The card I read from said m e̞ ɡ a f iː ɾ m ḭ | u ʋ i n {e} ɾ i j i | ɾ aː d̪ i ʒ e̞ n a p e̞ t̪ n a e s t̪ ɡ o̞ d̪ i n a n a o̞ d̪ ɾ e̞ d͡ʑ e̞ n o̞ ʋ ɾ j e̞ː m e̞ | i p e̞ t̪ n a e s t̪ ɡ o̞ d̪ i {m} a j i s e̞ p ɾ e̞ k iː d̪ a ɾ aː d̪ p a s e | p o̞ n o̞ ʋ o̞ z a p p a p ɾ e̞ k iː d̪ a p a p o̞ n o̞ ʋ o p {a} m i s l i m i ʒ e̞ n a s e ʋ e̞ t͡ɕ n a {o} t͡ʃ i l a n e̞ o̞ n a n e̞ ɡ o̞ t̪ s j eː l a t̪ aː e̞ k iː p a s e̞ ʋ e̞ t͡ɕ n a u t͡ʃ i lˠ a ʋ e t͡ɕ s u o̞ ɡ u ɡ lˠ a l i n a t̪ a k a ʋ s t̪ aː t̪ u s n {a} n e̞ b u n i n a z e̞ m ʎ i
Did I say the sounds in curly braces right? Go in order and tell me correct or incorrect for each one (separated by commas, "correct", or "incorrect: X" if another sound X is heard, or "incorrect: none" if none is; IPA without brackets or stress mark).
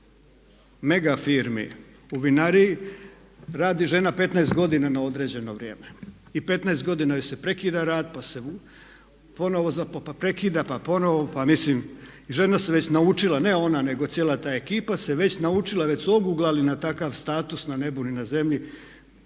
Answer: incorrect: a, incorrect: n, correct, incorrect: u, correct